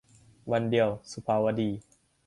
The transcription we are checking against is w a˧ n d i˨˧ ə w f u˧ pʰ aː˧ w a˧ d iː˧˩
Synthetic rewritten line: w a˧ n d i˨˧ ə w s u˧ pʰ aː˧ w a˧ d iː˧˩